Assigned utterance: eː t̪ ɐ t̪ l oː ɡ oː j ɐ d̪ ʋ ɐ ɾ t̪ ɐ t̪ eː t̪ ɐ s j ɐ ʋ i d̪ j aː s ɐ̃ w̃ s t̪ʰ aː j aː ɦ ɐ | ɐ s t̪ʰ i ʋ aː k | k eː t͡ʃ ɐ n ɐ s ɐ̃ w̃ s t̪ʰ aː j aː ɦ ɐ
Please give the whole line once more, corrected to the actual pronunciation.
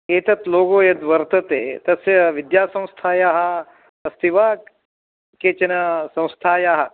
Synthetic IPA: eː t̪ ɐ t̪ l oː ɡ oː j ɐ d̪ ʋ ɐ ɾ t̪ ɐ t̪ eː t̪ ɐ s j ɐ ʋ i d̪ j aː s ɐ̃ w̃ s t̪ʰ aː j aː ɦ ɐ | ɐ s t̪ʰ i ʋ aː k | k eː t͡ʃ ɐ n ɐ s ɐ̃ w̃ s t̪ʰ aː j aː ɦ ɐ